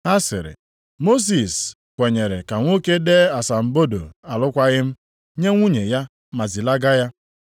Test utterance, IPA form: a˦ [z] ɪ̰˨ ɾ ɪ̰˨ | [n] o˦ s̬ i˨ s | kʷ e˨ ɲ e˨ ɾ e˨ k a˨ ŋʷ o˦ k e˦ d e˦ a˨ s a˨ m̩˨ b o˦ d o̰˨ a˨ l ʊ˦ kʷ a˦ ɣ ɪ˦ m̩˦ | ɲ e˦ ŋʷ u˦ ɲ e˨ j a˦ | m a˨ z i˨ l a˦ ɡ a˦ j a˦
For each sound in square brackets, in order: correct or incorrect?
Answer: incorrect, incorrect

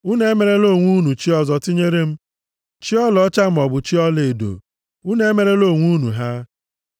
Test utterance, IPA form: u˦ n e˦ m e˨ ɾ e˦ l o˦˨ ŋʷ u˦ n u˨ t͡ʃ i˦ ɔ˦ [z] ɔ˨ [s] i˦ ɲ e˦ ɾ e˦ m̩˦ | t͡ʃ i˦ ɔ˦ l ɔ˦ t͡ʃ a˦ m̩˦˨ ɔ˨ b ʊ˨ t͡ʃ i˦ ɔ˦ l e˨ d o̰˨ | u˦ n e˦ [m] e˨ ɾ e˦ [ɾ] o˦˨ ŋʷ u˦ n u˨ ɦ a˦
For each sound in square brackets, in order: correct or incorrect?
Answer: correct, incorrect, correct, incorrect

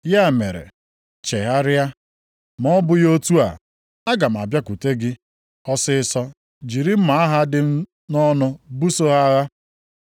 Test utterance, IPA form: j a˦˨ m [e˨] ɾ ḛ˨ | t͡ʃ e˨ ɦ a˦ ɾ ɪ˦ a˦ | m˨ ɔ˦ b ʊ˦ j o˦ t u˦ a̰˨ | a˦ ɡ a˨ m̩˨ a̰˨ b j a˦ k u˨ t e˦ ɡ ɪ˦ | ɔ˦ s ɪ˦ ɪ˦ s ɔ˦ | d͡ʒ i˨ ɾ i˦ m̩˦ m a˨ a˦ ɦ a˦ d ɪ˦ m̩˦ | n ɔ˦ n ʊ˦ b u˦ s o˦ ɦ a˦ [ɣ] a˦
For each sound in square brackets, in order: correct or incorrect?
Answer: correct, correct

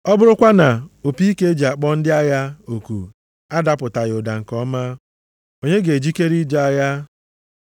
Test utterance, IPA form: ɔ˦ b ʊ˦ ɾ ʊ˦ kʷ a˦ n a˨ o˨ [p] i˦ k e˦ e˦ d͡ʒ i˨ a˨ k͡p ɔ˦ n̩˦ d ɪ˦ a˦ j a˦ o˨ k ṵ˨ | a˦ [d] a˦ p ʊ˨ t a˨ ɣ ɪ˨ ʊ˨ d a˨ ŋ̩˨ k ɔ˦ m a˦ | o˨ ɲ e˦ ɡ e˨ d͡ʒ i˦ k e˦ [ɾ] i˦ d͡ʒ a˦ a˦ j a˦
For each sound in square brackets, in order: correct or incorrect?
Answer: correct, correct, correct

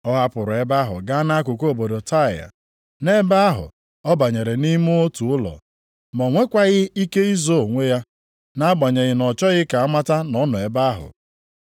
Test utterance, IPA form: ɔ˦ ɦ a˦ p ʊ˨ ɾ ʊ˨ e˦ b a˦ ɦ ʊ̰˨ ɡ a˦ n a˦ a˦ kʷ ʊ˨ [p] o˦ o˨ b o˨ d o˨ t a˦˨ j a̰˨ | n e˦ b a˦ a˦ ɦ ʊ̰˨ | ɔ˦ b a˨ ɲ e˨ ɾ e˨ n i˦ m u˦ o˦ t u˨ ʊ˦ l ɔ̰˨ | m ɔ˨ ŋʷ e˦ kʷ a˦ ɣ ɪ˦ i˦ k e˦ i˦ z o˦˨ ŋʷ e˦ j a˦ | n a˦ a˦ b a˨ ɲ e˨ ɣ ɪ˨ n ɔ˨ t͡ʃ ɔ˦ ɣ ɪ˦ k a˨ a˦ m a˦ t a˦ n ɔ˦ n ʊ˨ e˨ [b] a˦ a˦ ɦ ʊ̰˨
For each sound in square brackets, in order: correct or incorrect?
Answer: incorrect, correct

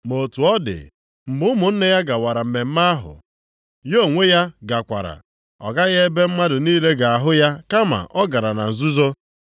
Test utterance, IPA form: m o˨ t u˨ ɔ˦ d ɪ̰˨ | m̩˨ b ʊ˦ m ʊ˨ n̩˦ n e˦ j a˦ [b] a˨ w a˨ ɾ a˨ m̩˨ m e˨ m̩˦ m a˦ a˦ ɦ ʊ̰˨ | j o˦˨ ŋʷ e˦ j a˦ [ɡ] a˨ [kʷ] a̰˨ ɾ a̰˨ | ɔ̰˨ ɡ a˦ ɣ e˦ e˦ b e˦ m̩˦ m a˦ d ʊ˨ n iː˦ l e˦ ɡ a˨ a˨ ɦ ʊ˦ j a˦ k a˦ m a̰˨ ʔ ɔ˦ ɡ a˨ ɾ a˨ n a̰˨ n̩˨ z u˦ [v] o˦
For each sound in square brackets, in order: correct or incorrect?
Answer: incorrect, correct, correct, incorrect

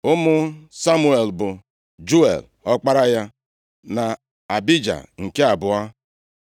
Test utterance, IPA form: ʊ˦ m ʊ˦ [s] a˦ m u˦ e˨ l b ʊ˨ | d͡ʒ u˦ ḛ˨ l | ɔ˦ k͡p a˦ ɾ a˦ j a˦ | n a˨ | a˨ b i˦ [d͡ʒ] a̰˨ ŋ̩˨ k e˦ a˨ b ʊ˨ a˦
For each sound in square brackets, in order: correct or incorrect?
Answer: correct, correct

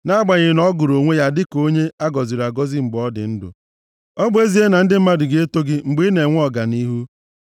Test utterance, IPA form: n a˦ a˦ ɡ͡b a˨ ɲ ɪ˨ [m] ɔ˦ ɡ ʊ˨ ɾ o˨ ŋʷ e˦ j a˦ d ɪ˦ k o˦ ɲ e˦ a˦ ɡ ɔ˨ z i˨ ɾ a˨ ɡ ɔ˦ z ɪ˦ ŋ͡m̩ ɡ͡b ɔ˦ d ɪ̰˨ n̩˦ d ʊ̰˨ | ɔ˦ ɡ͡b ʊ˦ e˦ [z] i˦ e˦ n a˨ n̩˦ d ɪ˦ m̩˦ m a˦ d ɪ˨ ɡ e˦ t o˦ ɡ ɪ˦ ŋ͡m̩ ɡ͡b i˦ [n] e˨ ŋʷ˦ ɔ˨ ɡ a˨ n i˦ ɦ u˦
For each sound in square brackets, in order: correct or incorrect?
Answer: incorrect, correct, correct

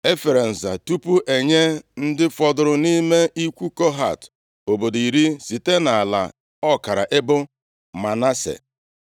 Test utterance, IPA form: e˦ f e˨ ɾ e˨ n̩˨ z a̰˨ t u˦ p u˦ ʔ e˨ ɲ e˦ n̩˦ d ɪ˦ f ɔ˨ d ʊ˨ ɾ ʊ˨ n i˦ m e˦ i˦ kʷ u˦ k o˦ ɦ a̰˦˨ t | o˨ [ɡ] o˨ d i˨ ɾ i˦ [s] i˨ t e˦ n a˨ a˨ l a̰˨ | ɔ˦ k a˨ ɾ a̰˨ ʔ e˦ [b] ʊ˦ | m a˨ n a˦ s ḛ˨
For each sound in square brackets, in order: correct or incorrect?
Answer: incorrect, correct, correct

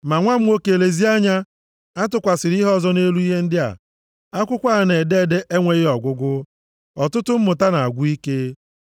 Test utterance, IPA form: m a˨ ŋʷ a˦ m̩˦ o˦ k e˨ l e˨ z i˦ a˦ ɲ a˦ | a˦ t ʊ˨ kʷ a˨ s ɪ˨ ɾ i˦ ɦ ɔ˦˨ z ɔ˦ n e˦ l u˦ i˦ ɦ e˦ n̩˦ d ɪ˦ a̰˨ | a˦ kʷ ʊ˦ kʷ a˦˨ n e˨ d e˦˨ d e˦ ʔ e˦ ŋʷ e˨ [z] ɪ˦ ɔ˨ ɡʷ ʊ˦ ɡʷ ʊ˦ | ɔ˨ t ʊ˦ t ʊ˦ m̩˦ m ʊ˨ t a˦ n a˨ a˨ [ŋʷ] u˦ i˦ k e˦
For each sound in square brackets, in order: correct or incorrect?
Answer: incorrect, incorrect

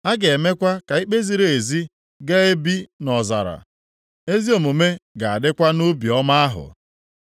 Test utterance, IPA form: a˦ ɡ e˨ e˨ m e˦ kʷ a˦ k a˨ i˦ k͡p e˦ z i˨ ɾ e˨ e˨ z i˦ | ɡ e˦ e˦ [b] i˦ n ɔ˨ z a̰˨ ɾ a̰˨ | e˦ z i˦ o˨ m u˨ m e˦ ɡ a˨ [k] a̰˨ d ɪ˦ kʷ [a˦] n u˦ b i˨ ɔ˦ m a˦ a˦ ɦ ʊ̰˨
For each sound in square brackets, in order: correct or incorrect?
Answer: correct, incorrect, correct

